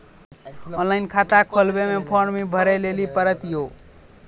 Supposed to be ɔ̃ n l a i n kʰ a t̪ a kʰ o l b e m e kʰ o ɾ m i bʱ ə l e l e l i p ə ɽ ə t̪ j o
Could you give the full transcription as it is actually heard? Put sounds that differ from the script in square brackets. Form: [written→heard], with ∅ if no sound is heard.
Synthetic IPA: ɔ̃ n l a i n kʰ a t̪ a kʰ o l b e m e [kʰ→pʰ] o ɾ m i bʱ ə [l→ɾ] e l e l i p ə [ɽ→ɾ] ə t̪ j o